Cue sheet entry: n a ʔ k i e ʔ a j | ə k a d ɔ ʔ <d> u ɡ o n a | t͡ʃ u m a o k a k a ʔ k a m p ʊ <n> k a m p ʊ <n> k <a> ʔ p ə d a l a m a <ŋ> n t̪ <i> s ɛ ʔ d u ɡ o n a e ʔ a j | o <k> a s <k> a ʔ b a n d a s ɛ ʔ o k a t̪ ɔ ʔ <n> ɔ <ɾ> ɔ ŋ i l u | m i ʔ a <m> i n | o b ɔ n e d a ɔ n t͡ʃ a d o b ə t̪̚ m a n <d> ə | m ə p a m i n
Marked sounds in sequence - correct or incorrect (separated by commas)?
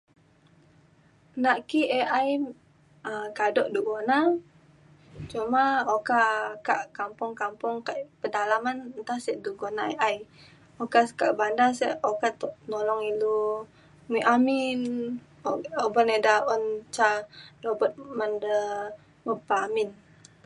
correct, incorrect, incorrect, correct, incorrect, incorrect, correct, correct, correct, incorrect, correct, correct